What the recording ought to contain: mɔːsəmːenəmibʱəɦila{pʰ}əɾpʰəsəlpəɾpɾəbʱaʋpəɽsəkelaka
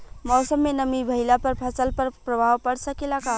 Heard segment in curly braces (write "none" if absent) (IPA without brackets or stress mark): p